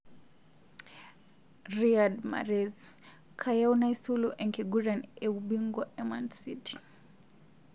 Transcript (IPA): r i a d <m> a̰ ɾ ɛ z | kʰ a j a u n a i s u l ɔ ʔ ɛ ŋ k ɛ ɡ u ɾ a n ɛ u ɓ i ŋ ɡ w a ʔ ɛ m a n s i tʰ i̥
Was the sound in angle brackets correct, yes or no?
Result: yes